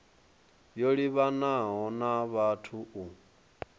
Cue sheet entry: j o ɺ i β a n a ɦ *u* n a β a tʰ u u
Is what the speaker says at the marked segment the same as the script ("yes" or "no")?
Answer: no